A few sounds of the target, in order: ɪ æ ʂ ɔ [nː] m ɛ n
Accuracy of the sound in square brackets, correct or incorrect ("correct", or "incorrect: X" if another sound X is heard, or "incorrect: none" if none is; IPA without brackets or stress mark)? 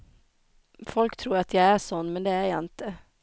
correct